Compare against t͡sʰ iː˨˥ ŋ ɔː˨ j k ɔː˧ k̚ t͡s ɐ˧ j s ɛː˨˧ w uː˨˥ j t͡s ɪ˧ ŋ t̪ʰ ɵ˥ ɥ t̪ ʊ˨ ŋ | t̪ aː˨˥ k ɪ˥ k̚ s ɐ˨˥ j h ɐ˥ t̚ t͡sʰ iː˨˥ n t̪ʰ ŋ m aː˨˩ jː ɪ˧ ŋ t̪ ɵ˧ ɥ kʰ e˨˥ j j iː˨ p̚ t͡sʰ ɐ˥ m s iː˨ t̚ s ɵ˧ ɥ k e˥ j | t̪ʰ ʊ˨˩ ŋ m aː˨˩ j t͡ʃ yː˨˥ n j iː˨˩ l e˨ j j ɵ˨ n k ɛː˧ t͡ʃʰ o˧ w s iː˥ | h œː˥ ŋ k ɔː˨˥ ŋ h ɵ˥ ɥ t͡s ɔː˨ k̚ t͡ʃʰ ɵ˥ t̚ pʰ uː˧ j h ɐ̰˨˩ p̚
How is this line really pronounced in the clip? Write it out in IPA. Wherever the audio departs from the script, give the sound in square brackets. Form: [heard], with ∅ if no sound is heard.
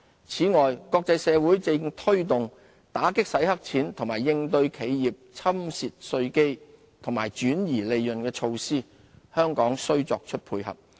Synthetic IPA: t͡sʰ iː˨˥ ŋ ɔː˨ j k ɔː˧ k̚ t͡s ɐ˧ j s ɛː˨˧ w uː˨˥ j t͡s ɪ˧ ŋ t̪ʰ ɵ˥ ɥ t̪ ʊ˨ ŋ | t̪ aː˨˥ k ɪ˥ k̚ s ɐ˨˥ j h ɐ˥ [k̚] t͡sʰ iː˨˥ n t̪ʰ ŋ m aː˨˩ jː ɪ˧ ŋ t̪ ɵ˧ ɥ kʰ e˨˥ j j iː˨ p̚ t͡sʰ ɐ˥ m s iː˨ t̚ s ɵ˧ ɥ k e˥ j | t̪ʰ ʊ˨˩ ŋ m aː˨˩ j t͡ʃ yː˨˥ n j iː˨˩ l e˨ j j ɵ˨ n k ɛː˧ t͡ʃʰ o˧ w s iː˥ | h œː˥ ŋ k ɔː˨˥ ŋ [s] ɵ˥ ɥ t͡s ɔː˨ k̚ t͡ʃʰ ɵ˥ t̚ pʰ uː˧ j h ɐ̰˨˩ p̚